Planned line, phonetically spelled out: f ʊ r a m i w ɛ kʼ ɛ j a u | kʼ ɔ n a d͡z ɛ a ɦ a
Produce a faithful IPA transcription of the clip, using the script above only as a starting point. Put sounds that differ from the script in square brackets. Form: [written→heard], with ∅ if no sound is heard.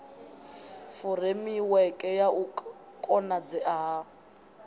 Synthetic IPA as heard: f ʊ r [a→e] m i w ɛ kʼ ɛ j a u | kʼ ɔ n a d͡z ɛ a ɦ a

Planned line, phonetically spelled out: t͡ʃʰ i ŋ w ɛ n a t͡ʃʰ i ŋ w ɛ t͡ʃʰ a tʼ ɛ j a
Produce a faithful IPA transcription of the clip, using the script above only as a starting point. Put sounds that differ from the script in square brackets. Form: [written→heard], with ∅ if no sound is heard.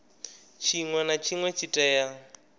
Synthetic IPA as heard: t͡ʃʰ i ŋ w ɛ n a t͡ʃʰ i ŋ w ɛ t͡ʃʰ [a→i] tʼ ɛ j a

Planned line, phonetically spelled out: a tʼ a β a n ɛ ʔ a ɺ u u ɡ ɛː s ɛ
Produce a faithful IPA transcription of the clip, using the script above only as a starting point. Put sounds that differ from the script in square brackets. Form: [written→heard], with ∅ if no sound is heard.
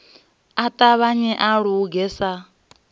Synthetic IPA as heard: a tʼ a β a [n→ɲ] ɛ ʔ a ɺ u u ɡ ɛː s [ɛ→a]

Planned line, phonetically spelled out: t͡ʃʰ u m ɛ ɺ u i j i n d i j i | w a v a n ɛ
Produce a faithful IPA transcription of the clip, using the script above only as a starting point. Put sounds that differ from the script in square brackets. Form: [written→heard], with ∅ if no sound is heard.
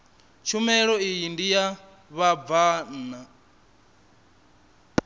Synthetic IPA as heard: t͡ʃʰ u m ɛ ɺ [u→ɔ] i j i n d i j [i→a] | [w→β] a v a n [ɛ→a]

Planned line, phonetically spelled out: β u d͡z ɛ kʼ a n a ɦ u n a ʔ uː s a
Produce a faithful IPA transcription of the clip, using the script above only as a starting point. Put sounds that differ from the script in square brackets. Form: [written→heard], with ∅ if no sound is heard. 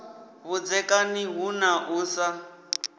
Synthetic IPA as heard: β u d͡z ɛ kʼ a n [a→i] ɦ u n a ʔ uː s a

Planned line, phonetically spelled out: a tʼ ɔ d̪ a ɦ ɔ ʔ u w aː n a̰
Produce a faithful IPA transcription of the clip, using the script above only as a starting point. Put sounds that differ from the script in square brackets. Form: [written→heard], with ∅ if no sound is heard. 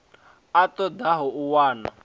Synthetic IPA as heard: a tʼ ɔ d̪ a ɦ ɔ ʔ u w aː n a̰

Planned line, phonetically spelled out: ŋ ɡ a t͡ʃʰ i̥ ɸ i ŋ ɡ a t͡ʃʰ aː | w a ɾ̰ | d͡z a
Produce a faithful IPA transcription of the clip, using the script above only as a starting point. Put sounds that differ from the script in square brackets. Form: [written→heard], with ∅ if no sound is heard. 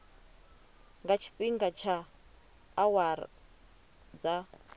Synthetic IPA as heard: ŋ ɡ a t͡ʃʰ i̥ ɸ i ŋ ɡ a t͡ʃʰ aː | w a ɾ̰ | d͡z a

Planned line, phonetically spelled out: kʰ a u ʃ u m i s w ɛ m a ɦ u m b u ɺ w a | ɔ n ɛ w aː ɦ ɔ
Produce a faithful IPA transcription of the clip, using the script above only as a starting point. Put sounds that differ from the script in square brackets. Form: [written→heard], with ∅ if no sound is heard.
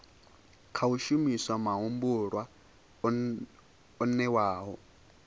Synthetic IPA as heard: kʰ a u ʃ u m i s w [ɛ→a] m a ɦ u m b u ɺ w a | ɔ n ɛ w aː ɦ ɔ

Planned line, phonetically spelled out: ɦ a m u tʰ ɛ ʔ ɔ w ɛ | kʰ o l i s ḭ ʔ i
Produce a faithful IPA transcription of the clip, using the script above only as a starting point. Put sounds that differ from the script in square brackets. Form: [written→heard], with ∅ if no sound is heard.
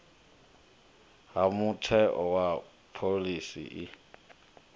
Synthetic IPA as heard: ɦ a m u tʰ ɛ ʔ ɔ w [ɛ→a] | [kʰ→pʰ] o l i s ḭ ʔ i

